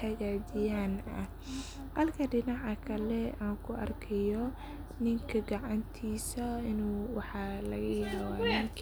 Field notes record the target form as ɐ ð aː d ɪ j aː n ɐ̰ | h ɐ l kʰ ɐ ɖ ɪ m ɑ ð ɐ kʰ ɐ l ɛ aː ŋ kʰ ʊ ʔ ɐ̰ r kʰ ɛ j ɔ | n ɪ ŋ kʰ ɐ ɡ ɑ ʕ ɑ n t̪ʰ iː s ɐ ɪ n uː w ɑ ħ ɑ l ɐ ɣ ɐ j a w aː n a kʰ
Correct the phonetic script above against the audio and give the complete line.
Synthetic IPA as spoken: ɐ ɣ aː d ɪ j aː n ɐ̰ | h ɐ l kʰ ɐ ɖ ɪ n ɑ ʕ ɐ kʰ ɐ l ɛ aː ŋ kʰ ʊ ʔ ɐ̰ r kʰ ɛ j ɔ | n ɪ ŋ kʰ ɐ ɡ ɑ ʕ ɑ n t̪ʰ iː s ɐ ɪ n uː w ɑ ħ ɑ l ɐ ɣ ɐ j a w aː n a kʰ